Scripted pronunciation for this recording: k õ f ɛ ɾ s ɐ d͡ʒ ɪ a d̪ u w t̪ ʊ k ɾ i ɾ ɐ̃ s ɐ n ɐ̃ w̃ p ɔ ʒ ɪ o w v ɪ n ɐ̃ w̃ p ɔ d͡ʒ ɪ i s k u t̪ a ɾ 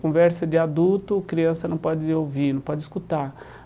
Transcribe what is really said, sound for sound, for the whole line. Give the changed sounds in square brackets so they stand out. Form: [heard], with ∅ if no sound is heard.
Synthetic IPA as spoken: k õ [v] ɛ ɾ s ɐ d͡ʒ ɪ a d̪ u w t̪ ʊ k ɾ i [∅] ɐ̃ s ɐ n ɐ̃ w̃ p ɔ [d͡ʒ] ɪ o w v [i] n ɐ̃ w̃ p ɔ d͡ʒ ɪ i s k u t̪ a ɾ